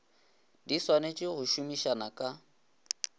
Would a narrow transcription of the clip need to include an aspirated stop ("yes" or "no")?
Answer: no